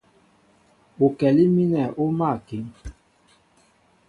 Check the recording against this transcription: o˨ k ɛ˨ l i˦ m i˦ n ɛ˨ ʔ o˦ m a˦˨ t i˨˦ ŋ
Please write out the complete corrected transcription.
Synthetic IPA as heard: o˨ k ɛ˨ l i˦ m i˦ n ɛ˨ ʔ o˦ m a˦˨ k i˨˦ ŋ